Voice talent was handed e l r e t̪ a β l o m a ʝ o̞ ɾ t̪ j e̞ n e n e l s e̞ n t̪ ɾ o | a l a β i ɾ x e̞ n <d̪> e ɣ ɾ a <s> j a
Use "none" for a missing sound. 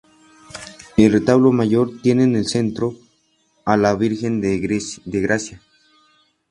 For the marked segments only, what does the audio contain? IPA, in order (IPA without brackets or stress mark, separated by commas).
d̪, s